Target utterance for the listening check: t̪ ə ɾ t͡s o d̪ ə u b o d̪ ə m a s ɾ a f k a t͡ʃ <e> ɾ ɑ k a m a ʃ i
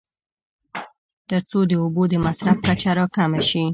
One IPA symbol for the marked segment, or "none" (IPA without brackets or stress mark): a